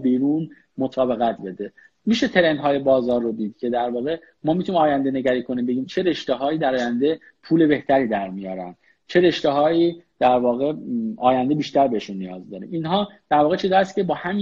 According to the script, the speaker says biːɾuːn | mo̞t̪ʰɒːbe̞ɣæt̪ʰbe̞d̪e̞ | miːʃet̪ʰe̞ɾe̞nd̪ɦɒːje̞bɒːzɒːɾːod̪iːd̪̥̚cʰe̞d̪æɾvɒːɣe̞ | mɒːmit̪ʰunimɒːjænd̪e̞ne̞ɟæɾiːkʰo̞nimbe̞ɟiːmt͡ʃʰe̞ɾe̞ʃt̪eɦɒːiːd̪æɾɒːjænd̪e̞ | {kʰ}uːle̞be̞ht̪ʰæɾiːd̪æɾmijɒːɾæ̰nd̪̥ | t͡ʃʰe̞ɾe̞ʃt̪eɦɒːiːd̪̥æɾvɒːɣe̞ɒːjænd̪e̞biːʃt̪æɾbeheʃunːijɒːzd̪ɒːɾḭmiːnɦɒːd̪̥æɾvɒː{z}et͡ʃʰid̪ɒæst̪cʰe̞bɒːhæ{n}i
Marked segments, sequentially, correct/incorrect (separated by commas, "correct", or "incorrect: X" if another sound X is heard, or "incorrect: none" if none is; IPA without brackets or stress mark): incorrect: pʰ, incorrect: ɣ, incorrect: m